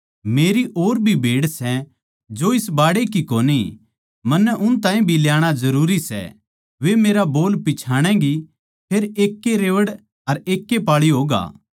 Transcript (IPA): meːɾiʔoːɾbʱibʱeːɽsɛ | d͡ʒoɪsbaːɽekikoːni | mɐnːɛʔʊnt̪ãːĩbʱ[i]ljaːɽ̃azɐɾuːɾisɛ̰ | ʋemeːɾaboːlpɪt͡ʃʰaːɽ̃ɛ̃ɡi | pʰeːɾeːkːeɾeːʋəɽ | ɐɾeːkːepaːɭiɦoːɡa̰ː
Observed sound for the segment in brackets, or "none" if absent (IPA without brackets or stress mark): i